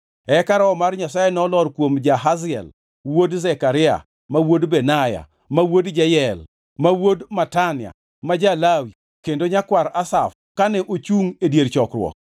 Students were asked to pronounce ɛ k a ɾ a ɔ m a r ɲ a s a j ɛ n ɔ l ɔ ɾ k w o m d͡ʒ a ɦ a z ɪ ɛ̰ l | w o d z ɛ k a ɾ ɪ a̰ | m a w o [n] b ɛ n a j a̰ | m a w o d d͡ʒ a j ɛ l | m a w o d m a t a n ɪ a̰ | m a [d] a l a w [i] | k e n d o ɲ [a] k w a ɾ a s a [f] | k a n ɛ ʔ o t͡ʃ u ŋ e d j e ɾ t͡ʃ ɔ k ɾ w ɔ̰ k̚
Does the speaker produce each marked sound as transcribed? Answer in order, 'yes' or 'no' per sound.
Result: no, no, yes, yes, yes

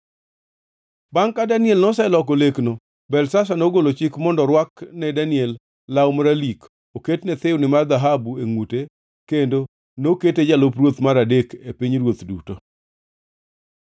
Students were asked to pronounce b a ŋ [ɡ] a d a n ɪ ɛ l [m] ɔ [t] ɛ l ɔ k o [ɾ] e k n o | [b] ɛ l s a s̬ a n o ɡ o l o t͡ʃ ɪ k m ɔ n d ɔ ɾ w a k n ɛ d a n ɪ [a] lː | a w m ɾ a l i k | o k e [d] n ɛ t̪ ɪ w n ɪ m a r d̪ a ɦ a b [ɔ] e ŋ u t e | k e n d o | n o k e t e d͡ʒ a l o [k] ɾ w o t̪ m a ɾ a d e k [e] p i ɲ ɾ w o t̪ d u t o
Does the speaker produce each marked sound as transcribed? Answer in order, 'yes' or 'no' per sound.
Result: no, no, no, no, yes, no, no, no, no, yes

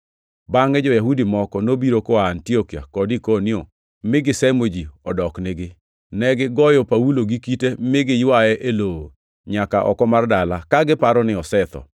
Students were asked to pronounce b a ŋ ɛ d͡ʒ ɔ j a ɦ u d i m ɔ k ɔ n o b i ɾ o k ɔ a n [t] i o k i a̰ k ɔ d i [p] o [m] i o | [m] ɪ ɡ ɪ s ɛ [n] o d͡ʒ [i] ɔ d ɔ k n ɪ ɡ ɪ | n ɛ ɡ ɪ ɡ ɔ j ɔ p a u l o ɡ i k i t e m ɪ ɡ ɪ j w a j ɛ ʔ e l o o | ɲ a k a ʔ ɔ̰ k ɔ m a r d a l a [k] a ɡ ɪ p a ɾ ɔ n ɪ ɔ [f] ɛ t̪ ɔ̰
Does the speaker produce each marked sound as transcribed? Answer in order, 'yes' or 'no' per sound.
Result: yes, no, no, yes, no, yes, yes, no

